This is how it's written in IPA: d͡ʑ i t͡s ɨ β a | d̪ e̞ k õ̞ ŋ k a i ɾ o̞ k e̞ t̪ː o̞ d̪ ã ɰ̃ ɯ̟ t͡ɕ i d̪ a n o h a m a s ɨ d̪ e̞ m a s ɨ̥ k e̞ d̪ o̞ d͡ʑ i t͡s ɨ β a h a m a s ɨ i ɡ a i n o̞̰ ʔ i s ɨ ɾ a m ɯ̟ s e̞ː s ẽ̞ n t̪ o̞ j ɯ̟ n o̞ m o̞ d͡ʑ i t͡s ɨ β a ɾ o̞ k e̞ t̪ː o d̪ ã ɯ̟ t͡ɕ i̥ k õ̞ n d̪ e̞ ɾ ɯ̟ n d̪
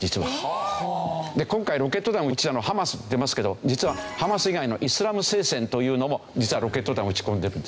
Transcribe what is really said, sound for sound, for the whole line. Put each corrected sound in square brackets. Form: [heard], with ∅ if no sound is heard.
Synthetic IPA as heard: d͡ʑ i t͡s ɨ β a | d̪ e̞ k õ̞ ŋ k a i ɾ o̞ k e̞ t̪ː o̞ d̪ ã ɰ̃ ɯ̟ t͡ɕ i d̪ a n o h a m a s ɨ d̪ e̞ m a s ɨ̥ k e̞ d̪ o̞ d͡ʑ i t͡s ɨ β a h a m a s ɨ i ɡ a i n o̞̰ ʔ i s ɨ ɾ a m ɯ̟ s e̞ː s ẽ̞ n t̪ o̞ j [ɯ̟ː] n o̞ m o̞ d͡ʑ i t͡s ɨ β a ɾ o̞ k e̞ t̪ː o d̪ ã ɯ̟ t͡ɕ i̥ k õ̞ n d̪ e̞ ɾ ɯ̟ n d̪

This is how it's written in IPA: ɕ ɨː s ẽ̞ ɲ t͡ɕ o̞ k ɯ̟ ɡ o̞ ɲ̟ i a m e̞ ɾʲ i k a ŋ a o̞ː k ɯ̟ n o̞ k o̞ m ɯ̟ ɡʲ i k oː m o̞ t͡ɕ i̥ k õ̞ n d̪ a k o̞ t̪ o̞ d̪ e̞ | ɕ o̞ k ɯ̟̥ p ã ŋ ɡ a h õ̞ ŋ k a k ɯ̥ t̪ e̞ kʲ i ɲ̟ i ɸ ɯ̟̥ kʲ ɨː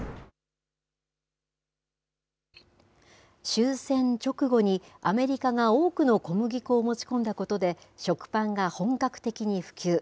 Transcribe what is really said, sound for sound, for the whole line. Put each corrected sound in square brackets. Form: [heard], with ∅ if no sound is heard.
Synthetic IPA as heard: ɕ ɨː s ẽ̞ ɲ t͡ɕ o̞ k ɯ̟ ɡ o̞ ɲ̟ i a m e̞ ɾʲ i k a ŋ a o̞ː k ɯ̟ n o̞ k o̞ m ɯ̟ ɡʲ i k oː m o̞ t͡ɕ i̥ k õ̞ n d̪ a k o̞ t̪ o̞ d̪ e̞ | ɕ o̞ k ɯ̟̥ p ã ŋ ɡ a h õ̞ ŋ k a k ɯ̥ t̪ e̞ kʲ i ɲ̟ i ɸ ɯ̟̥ kʲ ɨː

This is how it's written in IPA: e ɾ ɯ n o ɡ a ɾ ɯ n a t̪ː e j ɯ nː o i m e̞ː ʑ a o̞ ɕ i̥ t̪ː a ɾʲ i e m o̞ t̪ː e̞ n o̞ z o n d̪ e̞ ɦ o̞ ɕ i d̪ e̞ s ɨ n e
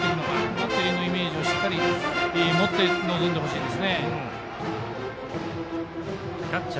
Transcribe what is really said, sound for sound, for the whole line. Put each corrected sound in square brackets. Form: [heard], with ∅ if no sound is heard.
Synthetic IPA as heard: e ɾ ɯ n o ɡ a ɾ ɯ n a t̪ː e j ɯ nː o i m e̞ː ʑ [i] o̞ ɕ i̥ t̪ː a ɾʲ i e m o̞ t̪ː e̞ n o̞ z o n d̪ e̞ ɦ o̞ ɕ [iː] d̪ e̞ s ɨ n e

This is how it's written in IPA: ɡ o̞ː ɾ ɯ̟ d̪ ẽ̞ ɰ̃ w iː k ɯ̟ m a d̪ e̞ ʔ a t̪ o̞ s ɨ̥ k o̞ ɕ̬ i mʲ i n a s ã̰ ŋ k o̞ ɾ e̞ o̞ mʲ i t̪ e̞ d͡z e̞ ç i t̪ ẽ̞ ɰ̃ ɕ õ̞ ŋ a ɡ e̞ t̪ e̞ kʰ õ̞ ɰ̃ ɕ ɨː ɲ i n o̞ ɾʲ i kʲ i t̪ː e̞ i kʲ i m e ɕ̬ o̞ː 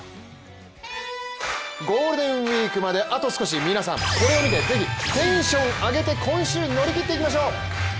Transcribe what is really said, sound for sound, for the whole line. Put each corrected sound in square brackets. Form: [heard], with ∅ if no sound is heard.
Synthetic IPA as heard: ɡ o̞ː ɾ ɯ̟ d̪ ẽ̞ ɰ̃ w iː k ɯ̟ m a d̪ e̞ ʔ a t̪ o̞ s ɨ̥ k o̞ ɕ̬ i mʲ i n a s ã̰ ŋ k o̞ ɾ e̞ o̞ mʲ i t̪ e̞ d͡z e̞ ç i t̪ ẽ̞ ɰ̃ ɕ õ̞ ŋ a ɡ e̞ t̪ e̞ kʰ õ̞ ɰ̃ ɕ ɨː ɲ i n o̞ ɾʲ i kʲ i t̪ː e̞ i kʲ i m [a] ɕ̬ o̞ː

